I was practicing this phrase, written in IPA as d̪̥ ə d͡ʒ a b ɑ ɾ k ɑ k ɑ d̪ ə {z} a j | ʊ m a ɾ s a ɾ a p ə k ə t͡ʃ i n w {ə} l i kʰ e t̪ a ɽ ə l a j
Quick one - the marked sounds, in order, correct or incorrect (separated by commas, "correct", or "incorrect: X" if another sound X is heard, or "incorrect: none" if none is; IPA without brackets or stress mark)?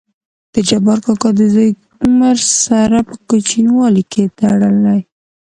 correct, incorrect: ɑ